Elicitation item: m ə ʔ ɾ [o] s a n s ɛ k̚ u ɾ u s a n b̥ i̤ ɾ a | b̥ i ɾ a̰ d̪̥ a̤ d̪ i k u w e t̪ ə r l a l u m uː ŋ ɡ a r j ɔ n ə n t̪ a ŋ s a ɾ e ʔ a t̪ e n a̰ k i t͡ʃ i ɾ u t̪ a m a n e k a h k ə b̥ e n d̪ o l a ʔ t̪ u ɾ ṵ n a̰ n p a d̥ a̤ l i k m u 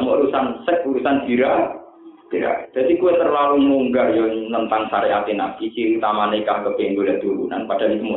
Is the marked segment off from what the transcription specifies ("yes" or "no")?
yes